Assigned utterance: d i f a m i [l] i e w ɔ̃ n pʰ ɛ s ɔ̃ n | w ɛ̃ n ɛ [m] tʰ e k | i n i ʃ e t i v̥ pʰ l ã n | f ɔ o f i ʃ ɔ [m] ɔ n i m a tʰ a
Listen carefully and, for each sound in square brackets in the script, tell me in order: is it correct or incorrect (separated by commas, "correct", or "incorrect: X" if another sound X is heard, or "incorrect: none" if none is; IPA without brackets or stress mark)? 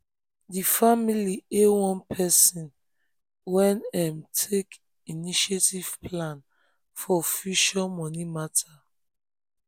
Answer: correct, correct, correct